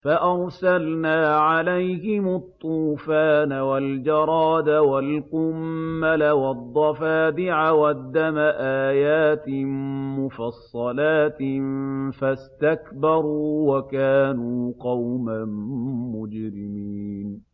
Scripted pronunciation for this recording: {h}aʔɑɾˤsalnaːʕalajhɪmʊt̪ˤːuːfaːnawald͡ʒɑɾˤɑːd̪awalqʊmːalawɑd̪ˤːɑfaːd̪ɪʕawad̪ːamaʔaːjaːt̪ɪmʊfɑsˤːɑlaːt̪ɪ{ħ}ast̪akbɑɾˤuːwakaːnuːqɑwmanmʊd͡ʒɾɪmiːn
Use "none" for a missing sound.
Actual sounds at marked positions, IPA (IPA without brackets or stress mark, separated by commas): f, f